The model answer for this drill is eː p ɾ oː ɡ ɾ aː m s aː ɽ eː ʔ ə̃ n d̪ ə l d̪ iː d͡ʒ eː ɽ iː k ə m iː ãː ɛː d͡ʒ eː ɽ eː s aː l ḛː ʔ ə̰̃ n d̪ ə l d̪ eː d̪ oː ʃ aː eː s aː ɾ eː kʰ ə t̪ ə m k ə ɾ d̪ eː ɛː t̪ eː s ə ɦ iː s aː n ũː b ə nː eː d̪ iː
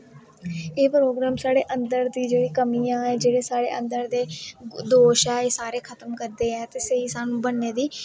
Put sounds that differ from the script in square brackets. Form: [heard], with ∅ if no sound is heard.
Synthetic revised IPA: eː p ɾ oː ɡ ɾ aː m s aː ɽ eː ʔ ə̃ n d̪ ə [ɾ] d̪ iː d͡ʒ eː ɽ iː k ə m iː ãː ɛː d͡ʒ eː ɽ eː s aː [ɽ] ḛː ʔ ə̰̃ n d̪ ə [ɾ] d̪ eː d̪ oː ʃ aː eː s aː ɾ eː kʰ ə t̪ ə m k ə ɾ d̪ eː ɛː t̪ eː s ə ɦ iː s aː n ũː b ə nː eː d̪ iː